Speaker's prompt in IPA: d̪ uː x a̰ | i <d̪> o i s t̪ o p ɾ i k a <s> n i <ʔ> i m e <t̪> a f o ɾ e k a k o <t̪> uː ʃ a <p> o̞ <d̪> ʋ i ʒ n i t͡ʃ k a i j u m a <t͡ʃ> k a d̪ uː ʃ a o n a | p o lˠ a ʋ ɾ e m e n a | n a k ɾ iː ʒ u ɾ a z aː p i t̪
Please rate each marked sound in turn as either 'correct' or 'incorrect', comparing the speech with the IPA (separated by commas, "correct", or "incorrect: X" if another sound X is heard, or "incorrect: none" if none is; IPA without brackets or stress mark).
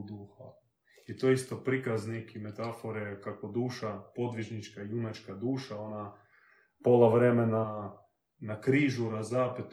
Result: incorrect: t̪, incorrect: z, incorrect: k, correct, incorrect: d̪, correct, correct, correct